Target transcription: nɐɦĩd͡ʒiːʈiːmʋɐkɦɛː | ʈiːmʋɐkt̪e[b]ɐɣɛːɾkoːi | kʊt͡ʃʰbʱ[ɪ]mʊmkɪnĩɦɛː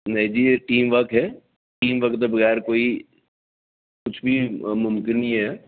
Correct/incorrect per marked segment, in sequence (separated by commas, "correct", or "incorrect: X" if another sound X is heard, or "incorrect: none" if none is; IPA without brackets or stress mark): correct, incorrect: i